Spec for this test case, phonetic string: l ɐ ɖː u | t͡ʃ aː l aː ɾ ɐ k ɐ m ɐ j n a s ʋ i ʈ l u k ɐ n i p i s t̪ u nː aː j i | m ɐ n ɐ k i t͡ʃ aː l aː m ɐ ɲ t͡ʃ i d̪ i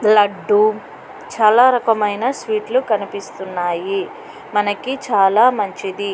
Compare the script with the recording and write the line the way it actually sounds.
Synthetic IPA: l ɐ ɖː u | t͡ʃ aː l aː ɾ ɐ k ɐ m ɐ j n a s ʋ iː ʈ l u k ɐ n i p i s t̪ u nː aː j i | m ɐ n ɐ k i t͡ʃ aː l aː m ɐ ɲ t͡ʃ i d̪ i